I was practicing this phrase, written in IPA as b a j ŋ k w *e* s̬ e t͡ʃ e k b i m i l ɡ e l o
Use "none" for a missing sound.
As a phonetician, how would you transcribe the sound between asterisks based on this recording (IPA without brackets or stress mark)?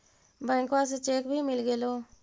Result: a